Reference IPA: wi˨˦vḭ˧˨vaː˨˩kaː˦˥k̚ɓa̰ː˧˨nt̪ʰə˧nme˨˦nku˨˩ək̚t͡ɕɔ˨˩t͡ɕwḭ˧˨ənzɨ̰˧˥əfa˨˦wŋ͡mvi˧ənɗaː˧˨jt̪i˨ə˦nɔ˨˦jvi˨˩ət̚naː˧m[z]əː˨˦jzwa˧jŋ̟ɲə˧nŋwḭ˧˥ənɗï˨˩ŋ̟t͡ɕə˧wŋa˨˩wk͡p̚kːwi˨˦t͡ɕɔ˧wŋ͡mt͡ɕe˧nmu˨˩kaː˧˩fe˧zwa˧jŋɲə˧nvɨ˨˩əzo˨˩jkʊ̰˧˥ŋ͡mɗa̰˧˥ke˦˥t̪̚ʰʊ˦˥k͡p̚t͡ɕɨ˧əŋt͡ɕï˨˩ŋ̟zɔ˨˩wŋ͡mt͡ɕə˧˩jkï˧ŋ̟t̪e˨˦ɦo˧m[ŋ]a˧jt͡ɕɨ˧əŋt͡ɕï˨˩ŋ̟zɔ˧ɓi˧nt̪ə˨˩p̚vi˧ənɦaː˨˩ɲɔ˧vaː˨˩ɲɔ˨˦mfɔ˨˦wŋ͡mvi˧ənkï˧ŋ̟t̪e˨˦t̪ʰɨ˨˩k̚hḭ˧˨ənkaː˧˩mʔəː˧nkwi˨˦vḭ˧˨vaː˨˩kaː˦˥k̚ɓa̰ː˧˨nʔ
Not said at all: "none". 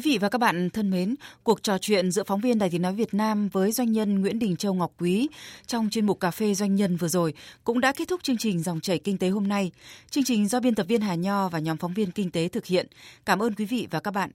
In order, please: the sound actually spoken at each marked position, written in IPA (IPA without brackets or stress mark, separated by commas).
v, n